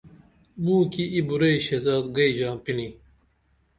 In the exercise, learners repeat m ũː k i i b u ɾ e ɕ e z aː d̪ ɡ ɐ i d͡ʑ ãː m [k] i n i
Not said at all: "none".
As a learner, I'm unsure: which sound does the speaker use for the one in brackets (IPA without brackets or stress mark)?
p